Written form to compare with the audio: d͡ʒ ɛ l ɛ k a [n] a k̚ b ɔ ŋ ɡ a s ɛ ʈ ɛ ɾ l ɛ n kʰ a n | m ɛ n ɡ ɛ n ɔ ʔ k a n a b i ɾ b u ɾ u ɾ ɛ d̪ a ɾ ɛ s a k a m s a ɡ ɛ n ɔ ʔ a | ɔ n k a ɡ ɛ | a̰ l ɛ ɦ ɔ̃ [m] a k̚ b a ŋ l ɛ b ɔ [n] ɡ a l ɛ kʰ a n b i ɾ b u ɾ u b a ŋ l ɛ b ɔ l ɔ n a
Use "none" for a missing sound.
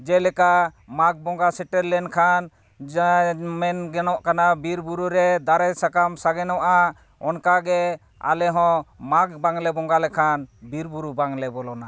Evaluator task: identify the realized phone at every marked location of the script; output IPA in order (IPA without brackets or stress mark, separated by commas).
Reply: m, m, ŋ